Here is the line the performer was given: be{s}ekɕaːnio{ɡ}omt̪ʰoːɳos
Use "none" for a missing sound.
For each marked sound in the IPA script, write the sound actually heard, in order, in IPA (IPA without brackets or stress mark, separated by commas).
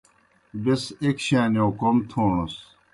s, k